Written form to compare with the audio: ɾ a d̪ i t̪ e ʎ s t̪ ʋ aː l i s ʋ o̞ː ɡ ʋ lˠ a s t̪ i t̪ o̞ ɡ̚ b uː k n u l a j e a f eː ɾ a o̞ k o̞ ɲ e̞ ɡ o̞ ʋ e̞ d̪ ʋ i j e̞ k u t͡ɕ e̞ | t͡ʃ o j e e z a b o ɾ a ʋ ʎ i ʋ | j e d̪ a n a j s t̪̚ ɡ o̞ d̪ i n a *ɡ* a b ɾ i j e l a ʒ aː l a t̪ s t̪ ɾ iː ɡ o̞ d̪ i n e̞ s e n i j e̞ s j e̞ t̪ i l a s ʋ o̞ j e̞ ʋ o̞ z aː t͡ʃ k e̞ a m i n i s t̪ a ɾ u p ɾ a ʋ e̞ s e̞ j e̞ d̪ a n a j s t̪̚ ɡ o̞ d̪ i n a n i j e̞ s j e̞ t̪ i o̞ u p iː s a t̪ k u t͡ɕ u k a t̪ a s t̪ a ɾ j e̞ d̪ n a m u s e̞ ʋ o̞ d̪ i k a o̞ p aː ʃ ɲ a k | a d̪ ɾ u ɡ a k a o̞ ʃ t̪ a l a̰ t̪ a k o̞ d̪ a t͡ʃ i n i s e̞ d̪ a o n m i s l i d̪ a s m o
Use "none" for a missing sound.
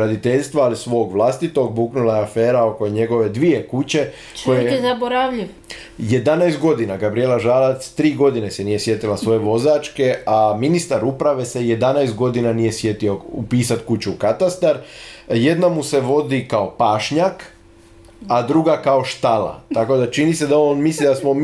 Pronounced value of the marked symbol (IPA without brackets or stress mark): ɡ